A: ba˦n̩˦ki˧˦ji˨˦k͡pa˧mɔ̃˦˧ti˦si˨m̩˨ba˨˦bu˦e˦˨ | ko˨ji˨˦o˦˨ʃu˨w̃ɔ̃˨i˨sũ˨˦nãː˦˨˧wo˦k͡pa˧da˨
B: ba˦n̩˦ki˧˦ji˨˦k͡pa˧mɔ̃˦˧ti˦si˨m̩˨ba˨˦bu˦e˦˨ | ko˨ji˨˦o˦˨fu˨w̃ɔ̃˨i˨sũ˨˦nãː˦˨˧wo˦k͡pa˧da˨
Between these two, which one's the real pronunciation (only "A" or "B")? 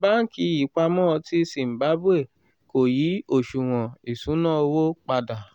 A